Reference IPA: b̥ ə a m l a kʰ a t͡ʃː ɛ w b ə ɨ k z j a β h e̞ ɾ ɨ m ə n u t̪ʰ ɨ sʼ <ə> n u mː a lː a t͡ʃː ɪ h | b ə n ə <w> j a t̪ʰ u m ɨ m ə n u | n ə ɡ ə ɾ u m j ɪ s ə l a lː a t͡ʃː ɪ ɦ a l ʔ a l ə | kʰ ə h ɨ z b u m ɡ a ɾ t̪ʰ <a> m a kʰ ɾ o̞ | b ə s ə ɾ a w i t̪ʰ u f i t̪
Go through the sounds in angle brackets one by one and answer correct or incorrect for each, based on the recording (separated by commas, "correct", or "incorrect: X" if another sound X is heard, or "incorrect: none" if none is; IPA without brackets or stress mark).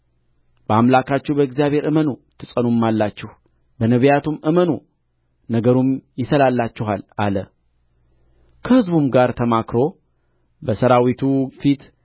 correct, incorrect: β, incorrect: ə